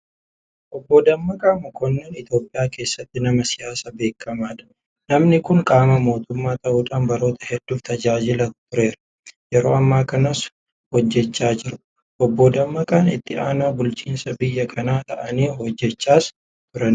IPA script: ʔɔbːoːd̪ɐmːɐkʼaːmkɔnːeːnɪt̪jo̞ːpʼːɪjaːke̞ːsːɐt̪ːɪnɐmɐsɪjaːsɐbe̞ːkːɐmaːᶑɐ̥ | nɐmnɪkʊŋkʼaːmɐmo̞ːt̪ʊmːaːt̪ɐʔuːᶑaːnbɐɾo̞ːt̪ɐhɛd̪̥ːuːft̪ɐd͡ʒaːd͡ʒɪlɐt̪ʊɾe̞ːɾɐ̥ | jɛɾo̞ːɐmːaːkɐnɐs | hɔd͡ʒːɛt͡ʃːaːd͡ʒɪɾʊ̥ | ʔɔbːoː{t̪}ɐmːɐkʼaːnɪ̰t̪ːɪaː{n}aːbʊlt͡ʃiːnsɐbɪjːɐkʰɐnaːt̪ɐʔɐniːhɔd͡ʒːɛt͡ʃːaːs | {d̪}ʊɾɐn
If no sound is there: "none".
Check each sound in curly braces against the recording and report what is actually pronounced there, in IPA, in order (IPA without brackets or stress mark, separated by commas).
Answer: d̪, n, t̪